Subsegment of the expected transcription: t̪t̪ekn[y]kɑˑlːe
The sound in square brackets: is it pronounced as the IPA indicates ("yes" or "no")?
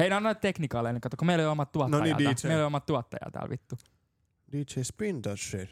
no